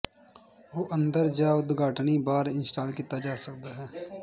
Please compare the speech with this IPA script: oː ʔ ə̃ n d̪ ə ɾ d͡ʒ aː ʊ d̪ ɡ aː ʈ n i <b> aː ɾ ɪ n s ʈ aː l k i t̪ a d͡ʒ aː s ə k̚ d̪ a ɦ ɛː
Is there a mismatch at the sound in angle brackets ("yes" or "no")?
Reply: no